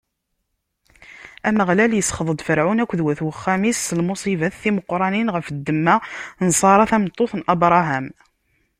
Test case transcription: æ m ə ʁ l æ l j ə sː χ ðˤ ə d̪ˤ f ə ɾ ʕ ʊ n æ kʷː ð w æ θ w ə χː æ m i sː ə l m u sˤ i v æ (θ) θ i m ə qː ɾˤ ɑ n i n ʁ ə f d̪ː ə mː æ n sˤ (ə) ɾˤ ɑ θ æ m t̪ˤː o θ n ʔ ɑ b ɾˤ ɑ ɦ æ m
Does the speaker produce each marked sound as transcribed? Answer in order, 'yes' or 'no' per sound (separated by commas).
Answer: yes, no